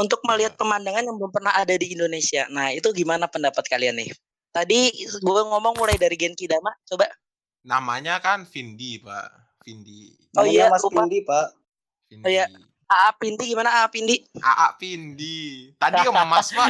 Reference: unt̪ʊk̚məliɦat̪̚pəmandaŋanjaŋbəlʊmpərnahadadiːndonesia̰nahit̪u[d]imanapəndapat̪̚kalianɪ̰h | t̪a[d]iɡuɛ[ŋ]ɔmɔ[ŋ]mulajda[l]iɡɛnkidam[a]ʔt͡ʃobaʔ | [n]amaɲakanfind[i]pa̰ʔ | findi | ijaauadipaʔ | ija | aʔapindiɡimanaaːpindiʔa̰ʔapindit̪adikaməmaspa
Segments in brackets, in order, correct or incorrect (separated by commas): incorrect, correct, correct, correct, incorrect, correct, correct, correct